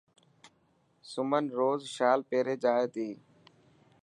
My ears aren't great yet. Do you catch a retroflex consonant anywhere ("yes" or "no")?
no